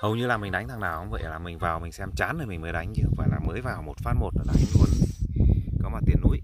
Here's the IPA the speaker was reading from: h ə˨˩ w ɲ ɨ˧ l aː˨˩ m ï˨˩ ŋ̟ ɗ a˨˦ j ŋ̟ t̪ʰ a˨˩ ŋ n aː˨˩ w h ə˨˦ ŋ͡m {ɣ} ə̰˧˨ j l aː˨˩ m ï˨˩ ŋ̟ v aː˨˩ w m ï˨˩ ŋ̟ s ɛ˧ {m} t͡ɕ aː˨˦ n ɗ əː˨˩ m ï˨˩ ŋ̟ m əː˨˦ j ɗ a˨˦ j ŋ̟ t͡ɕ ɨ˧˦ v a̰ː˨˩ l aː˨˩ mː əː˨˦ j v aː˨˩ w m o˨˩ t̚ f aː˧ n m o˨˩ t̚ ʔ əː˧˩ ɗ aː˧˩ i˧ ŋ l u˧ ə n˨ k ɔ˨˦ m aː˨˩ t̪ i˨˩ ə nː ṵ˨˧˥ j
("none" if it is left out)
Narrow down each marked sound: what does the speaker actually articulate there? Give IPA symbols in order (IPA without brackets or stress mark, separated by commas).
v, m